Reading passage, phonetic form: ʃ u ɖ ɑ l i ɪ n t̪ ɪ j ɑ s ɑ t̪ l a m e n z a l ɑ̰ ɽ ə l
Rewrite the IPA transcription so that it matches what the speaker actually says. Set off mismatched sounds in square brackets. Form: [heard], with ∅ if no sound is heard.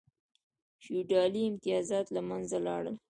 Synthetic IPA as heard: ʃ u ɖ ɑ l i ɪ [m] t̪ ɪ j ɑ [z] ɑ t̪ l a m [a] n z a l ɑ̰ ɽ ə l